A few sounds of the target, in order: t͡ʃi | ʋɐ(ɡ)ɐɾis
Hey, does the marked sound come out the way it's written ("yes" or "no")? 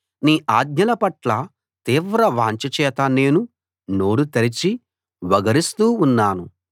yes